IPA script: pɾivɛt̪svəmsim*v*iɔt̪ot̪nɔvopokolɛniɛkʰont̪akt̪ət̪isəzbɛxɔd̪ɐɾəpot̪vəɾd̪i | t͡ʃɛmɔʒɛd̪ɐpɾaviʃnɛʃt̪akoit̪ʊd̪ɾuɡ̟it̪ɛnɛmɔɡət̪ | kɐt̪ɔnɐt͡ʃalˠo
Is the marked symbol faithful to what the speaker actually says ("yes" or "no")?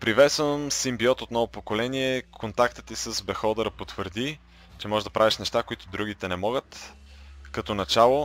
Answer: no